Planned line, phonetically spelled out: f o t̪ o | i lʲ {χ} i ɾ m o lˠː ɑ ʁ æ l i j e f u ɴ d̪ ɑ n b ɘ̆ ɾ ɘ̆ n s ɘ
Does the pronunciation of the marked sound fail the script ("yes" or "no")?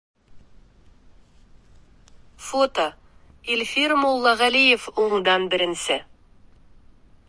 yes